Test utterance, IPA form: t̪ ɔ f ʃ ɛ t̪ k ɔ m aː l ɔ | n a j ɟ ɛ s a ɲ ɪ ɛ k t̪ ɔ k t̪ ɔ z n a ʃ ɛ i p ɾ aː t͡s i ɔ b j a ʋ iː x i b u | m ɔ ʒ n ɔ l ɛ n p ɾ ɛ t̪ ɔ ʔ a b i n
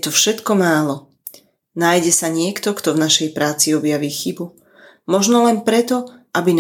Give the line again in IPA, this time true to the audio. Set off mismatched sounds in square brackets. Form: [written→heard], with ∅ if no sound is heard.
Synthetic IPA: t̪ ɔ f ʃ ɛ t̪ k ɔ m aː l ɔ | n a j ɟ ɛ s a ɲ ɪ ɛ k t̪ ɔ k t̪ ɔ [z→v] n a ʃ ɛ [i→j] p ɾ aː t͡s i ɔ b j a ʋ iː x i b u | m ɔ ʒ n ɔ l ɛ n p ɾ ɛ t̪ ɔ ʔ a b i n